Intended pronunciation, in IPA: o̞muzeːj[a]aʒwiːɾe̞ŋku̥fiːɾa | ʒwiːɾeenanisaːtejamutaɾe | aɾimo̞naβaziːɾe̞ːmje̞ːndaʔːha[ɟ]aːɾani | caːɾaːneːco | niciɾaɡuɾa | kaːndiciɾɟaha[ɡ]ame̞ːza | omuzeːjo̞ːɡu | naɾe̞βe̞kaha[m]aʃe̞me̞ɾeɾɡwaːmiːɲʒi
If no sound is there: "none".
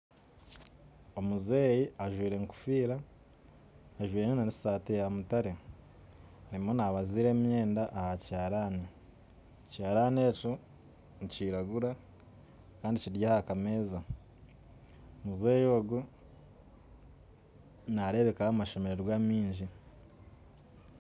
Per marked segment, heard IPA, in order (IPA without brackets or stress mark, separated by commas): i, c, k, m